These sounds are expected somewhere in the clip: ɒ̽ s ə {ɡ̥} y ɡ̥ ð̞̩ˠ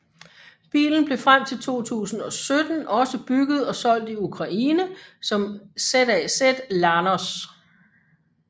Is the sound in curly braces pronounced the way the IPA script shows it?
no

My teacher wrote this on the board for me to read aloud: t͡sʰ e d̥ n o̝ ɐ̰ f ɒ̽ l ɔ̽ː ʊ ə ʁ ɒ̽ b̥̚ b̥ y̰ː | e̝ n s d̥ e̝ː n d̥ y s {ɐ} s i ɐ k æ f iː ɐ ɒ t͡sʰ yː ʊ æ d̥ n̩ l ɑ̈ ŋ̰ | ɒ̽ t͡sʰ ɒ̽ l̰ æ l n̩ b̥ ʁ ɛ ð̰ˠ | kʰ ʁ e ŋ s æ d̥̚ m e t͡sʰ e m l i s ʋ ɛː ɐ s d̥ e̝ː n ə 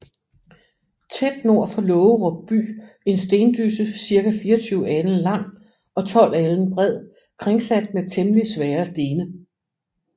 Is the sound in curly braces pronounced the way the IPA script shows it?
no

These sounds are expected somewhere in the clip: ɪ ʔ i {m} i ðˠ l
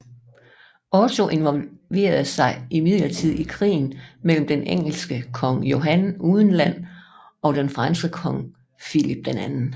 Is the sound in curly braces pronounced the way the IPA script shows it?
yes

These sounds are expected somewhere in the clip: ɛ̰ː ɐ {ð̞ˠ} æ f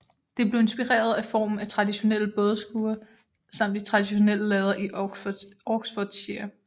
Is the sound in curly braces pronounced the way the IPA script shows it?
yes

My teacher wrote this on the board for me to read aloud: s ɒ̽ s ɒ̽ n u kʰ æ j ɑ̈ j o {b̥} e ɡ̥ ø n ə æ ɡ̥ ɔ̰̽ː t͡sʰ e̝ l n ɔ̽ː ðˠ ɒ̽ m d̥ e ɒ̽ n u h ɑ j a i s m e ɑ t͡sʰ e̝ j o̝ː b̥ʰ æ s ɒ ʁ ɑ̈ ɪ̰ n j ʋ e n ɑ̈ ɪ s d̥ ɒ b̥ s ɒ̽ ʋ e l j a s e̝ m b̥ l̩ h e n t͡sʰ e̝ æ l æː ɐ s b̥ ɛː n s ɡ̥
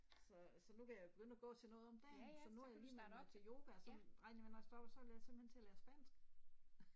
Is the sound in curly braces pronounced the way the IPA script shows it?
yes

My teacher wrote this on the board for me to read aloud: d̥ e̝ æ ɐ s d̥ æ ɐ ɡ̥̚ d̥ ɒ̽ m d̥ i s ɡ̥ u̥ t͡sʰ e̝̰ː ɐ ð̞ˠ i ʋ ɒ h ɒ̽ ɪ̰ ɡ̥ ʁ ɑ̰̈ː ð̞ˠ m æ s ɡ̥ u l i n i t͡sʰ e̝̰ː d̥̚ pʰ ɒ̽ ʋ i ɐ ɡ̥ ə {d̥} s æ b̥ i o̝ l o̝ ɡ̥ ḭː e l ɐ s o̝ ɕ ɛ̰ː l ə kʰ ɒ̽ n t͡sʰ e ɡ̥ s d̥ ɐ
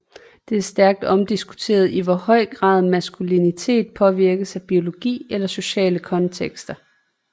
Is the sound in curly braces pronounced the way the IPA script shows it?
no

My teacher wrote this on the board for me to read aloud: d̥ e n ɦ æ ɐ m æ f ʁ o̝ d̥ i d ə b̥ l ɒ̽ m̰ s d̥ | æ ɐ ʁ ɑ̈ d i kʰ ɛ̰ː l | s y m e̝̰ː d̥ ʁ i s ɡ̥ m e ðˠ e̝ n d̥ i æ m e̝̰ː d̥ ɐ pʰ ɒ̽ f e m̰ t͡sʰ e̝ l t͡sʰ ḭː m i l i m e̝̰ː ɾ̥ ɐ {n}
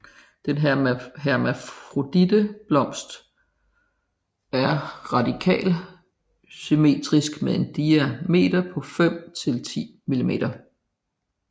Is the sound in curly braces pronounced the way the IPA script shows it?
no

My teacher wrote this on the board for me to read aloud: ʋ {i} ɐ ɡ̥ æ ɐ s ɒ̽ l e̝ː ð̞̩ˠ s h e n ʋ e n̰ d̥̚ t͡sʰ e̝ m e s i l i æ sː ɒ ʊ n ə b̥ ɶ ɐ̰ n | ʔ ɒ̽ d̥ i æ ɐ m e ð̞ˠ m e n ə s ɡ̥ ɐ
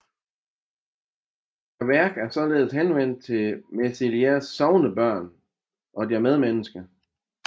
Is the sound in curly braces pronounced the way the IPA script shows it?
no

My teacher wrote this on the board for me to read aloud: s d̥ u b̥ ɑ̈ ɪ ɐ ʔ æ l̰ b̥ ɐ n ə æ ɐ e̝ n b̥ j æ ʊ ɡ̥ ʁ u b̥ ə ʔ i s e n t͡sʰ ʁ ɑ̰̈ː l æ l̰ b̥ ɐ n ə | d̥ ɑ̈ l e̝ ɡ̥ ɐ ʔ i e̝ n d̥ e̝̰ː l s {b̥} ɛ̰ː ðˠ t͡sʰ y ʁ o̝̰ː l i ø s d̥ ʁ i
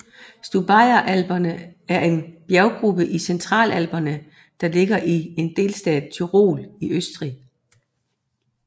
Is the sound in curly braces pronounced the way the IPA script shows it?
no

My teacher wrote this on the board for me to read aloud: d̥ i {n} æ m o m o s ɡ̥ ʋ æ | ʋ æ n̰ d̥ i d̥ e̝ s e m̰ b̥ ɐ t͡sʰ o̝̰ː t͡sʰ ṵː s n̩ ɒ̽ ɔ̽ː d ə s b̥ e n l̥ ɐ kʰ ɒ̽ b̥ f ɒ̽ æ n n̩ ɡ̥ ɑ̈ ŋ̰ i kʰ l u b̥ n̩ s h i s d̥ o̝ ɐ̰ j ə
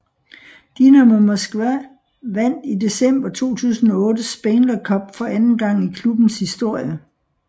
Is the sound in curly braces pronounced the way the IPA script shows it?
yes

